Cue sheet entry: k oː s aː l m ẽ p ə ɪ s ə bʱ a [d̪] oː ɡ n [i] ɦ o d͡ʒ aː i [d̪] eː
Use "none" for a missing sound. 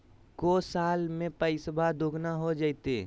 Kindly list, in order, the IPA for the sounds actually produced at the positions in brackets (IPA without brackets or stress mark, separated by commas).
d̪, a, t̪